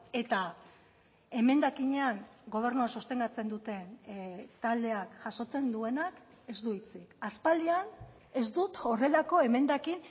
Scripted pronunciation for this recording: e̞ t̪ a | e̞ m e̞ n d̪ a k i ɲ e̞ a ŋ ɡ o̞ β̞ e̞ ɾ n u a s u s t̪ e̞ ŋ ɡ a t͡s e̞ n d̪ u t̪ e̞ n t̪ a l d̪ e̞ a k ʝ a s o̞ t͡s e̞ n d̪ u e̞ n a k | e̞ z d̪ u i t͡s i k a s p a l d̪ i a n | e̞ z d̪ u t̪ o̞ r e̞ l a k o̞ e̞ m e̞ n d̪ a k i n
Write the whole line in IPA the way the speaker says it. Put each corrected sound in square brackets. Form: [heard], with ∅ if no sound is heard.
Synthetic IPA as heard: e̞ t̪ a | e̞ m e̞ n d̪ a k i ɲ e̞ a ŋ ɡ o̞ β̞ e̞ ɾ n u a s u s t̪ e̞ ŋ ɡ a t͡s e̞ n d̪ u t̪ e̞ n t̪ a l d̪ e̞ a k ʝ a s o̞ t͡s e̞ n d̪ u e̞ n a k | e̞ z d̪ u i t͡s i k a s p a l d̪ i a n | e̞ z d̪ u t̪ o̞ r e̞ l a k o̞ e̞ m e̞ n d̪ a k i n

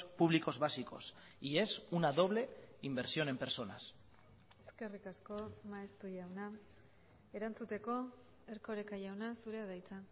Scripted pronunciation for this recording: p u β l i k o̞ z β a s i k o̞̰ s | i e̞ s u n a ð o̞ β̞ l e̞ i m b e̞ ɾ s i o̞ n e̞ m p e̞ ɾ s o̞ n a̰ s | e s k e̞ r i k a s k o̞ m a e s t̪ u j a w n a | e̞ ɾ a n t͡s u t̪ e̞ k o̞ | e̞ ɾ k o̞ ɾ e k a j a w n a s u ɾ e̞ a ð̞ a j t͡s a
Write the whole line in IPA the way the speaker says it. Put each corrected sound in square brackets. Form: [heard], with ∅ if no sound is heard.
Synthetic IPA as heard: p u β l i k o̞ z β a s i k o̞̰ s | i e̞ s u n a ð o̞ β̞ l e̞ i m b e̞ ɾ s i o̞ n e̞ m p e̞ ɾ s o̞ n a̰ s | e s k e̞ r i k a s k o̞ m a e s t̪ u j a w n a | e̞ ɾ a n t͡s u t̪ e̞ k o̞ | e̞ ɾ k o̞ ɾ e k a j a w n a s u ɾ e̞ a ð̞ a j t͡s a

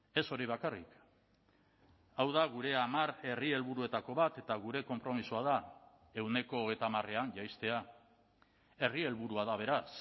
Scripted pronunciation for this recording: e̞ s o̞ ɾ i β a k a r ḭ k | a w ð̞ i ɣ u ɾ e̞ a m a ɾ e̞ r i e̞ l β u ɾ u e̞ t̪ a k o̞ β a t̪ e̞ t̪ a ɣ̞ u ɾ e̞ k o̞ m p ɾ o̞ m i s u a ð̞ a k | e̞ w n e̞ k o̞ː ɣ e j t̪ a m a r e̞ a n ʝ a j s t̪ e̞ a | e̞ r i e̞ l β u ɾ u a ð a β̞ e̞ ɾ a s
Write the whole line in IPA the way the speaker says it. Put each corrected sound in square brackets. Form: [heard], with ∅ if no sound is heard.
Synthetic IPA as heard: e̞ s o̞ ɾ i β a k a r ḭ k | a w ð̞ [a] ɣ u ɾ e̞ a m a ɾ e̞ r i e̞ l β u ɾ u e̞ t̪ a k o̞ β a t̪ e̞ t̪ a ɣ̞ u ɾ e̞ k o̞ m p ɾ o̞ m i s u a ð̞ a [∅] | e̞ w n e̞ k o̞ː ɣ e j t̪ a m a r e̞ a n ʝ a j s t̪ e̞ a | e̞ r i e̞ l β u ɾ u a ð a β̞ e̞ ɾ a s

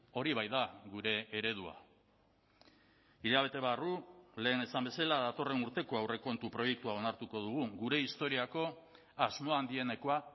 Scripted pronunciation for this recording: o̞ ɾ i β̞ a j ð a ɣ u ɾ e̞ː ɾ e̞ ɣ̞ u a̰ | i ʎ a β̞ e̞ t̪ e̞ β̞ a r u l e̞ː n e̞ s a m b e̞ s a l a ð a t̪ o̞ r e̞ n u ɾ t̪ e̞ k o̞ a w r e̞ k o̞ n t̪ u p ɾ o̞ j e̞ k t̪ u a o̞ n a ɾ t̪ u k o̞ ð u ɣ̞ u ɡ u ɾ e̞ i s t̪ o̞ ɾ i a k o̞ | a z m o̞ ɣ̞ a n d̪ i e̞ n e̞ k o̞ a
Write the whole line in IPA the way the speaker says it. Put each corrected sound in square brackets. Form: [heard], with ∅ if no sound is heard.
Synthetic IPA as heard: o̞ ɾ i β̞ a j ð a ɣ u ɾ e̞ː ɾ e̞ [ð̞] u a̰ | i ʎ a β̞ e̞ t̪ e̞ β̞ a r u l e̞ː n e̞ s a m b e̞ s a l a ð a t̪ o̞ r e̞ n u ɾ t̪ e̞ k o̞ a w r e̞ k o̞ n t̪ u p ɾ o̞ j e̞ k t̪ u a o̞ n a ɾ t̪ u k o̞ ð u ɣ̞ u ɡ u ɾ e̞ i s t̪ o̞ ɾ i a k o̞ | a z m o̞ [∅] a n d̪ i e̞ n e̞ k o̞ a

